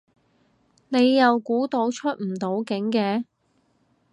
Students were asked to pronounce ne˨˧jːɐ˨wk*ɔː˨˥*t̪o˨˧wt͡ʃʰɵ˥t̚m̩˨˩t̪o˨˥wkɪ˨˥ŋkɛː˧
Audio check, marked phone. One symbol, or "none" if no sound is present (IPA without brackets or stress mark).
uː˨˥